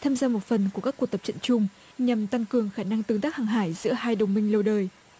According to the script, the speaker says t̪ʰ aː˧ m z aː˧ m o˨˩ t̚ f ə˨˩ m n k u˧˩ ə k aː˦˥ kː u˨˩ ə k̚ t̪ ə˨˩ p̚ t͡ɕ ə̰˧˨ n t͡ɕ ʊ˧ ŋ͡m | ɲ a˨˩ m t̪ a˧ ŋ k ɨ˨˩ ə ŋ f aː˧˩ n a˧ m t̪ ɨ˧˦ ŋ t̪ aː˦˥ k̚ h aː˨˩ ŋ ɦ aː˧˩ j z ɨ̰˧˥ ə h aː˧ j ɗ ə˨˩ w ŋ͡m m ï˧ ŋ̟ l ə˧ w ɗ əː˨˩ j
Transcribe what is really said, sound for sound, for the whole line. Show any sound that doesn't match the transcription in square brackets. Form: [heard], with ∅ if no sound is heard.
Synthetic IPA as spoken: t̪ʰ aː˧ m z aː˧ m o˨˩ t̚ f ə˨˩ [∅] n k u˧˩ ə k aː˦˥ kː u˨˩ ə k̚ t̪ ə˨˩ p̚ t͡ɕ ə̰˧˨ n t͡ɕ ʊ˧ ŋ͡m | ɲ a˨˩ m t̪ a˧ ŋ k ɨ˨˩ ə ŋ [x] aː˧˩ n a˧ [ŋ] t̪ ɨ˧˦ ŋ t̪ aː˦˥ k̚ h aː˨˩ ŋ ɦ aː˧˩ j z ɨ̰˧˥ ə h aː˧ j ɗ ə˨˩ w ŋ͡m m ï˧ ŋ̟ l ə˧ w ɗ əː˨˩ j